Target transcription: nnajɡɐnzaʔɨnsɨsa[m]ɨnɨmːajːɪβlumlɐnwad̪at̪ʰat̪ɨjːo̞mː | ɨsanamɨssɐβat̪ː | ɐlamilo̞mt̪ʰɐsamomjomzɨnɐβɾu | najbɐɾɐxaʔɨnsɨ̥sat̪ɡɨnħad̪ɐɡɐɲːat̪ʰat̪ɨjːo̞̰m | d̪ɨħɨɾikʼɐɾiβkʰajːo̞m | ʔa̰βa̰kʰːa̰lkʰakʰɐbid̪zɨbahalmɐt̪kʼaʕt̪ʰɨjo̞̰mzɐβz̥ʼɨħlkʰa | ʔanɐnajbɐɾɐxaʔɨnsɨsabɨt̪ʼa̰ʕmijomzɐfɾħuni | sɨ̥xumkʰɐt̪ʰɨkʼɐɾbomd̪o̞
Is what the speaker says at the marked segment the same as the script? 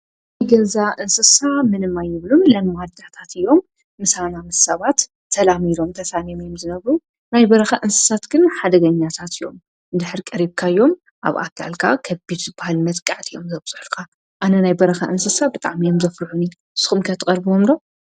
yes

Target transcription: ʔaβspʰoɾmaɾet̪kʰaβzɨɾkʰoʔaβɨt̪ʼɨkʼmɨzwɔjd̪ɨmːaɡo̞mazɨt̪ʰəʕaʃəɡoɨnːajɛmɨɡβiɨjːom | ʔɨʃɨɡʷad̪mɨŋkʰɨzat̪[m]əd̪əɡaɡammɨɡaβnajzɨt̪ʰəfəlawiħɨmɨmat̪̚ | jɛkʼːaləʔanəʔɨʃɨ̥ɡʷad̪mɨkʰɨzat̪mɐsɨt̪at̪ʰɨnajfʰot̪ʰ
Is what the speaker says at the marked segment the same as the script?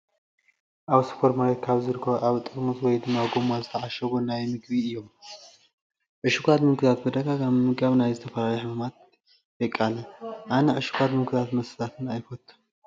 no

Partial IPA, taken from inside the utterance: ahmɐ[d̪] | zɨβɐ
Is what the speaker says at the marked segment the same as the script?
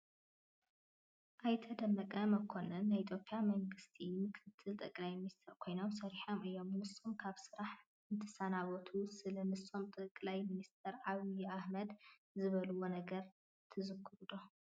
yes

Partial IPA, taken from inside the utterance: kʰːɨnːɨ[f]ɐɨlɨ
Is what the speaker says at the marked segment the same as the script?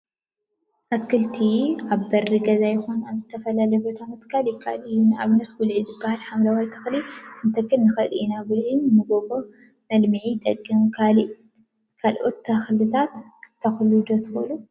no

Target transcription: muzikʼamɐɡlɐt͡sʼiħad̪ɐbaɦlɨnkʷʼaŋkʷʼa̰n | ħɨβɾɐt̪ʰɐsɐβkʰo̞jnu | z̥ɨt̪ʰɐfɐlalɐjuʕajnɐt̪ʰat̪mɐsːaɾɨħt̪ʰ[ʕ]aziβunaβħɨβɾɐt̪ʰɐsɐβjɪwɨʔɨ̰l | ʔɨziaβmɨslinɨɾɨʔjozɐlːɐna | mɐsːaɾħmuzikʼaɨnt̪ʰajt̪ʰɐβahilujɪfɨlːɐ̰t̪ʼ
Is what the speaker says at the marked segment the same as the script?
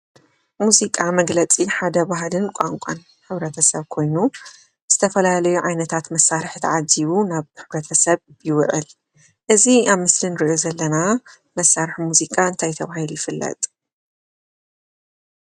yes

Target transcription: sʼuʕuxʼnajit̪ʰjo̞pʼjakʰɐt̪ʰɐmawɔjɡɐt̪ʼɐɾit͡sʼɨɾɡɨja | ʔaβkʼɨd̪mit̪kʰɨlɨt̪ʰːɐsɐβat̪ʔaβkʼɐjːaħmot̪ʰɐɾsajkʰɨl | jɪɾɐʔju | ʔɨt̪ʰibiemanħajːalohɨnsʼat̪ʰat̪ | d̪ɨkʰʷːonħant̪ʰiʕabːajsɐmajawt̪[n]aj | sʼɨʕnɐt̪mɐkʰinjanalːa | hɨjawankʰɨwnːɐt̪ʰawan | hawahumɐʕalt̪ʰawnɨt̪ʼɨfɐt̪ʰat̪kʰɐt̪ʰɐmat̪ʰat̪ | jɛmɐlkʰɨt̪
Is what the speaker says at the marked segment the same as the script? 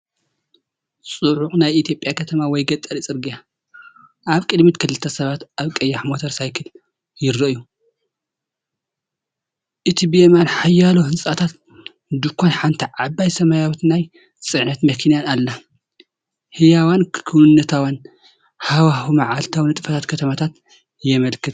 yes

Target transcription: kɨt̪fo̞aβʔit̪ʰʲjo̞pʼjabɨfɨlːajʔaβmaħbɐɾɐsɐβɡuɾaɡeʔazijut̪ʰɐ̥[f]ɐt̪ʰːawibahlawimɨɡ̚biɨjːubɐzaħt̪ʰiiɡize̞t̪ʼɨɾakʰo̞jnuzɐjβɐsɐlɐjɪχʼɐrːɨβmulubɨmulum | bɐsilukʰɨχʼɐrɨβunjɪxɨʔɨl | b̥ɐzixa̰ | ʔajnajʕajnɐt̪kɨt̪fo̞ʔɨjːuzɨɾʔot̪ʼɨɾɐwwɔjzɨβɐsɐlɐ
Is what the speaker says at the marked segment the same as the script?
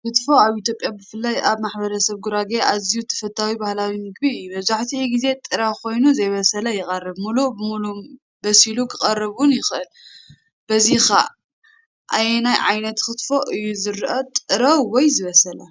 yes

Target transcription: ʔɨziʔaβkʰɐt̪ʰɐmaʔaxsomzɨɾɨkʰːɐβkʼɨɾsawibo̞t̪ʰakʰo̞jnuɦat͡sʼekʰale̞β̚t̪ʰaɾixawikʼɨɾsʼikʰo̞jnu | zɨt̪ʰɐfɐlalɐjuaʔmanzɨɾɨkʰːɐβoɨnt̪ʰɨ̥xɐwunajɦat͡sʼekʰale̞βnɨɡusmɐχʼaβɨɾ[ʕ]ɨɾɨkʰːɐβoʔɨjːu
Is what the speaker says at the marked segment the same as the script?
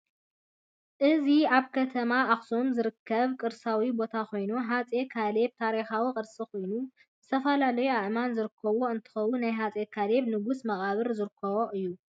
no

